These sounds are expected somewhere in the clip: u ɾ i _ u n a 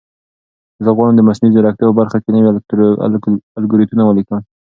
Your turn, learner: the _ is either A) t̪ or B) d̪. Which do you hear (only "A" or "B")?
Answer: A